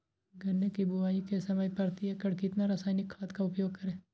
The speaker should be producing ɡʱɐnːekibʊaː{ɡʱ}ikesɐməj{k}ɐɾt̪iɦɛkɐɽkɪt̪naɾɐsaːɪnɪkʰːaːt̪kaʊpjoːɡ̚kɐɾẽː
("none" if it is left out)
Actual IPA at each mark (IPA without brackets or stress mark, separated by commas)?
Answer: none, p